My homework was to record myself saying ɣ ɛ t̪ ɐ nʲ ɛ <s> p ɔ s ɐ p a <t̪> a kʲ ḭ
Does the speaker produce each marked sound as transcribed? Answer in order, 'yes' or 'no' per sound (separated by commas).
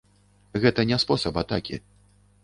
yes, yes